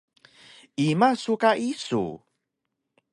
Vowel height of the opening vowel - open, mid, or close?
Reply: close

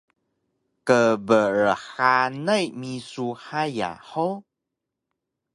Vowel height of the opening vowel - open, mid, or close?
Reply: mid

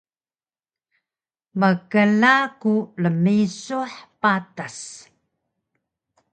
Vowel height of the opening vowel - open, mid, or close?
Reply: mid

